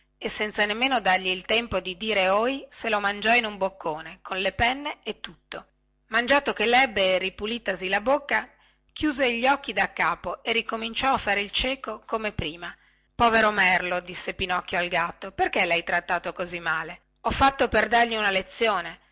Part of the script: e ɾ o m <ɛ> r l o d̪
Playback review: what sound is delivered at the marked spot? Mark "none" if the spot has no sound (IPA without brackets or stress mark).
ɛ